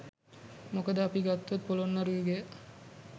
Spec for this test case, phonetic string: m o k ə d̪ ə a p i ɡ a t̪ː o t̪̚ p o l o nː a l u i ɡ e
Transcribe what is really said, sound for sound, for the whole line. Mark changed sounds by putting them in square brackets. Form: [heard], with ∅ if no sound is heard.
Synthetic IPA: m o k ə d̪ ə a p i ɡ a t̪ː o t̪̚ p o l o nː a [ɾ] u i ɡ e